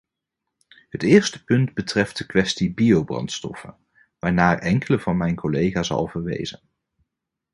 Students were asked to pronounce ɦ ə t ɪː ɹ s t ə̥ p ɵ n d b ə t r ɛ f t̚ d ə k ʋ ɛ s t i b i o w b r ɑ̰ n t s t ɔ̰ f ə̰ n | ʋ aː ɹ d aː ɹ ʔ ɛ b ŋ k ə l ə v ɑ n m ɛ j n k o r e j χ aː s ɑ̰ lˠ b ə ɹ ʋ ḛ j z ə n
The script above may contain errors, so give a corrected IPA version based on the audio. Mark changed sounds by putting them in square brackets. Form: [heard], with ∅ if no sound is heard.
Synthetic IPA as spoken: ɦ ə t ɪː ɹ s t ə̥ p ɵ n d b ə t r ɛ f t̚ d ə k ʋ ɛ s t i b i o w b r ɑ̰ n t s t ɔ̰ f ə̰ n | ʋ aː ɹ [n] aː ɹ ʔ ɛ [∅] ŋ k ə l ə v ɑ n m ɛ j n k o [l] e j χ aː s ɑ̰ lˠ [v] ə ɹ ʋ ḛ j z ə n